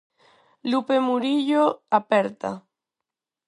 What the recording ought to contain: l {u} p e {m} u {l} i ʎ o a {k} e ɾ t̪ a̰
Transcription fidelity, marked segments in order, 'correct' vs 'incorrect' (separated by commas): correct, correct, incorrect, incorrect